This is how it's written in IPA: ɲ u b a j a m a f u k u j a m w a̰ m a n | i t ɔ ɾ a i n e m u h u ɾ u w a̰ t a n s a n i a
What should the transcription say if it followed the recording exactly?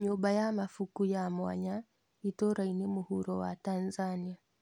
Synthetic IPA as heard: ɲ u b a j a m a f u k u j a m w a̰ ɲ a | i t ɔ ɾ a i n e m u h u ɾ ɔ w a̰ t a n z a n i a